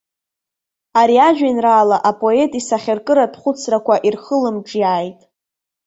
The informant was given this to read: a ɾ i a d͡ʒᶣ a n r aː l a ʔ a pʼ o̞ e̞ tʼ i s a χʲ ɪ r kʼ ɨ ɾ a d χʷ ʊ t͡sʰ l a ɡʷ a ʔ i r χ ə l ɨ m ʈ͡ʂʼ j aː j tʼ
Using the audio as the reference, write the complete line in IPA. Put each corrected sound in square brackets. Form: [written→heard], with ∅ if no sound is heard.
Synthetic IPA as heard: a ɾ i a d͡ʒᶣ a n r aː l a ʔ a pʼ o̞ e̞ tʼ i s a χʲ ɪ r kʼ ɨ ɾ a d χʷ ʊ t͡sʰ [l→r] a [ɡʷ→kʷ] a ʔ i r χ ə l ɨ m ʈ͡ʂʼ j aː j tʼ